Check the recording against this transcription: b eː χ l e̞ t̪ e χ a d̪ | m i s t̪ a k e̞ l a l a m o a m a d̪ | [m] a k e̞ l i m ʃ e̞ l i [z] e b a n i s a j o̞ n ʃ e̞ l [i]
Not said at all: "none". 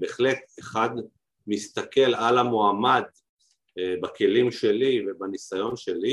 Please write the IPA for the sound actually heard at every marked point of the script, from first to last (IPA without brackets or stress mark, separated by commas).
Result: b, v, i